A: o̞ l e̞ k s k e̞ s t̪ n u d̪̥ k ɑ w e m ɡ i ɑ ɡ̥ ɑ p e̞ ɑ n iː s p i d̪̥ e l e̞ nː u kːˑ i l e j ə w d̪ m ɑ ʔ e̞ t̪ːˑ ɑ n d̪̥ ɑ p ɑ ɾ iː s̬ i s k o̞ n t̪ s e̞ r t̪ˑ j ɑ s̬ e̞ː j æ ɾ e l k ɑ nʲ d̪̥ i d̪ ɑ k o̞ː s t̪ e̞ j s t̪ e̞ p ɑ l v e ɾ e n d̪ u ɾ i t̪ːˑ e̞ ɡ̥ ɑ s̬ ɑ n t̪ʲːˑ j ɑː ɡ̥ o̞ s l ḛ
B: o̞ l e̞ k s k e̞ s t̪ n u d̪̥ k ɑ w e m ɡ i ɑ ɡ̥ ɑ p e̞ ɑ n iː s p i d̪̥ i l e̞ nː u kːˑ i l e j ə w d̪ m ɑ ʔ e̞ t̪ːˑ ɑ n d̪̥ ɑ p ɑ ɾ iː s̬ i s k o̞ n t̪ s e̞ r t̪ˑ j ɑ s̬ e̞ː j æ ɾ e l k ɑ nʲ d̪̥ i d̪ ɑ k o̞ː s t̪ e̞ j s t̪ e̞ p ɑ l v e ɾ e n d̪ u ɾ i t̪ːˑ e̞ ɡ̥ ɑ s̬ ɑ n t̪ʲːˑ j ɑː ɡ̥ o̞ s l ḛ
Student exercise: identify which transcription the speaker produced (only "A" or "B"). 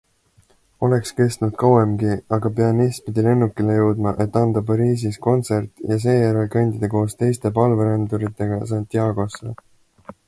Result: B